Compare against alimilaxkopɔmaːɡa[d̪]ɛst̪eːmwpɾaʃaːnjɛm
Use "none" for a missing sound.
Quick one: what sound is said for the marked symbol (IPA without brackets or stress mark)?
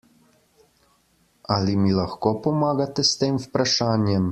t̪